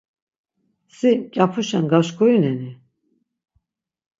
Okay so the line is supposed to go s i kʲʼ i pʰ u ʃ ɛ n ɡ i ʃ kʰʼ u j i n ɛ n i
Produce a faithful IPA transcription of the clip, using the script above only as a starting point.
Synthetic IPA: s i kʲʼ a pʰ u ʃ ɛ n ɡ a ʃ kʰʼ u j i n ɛ n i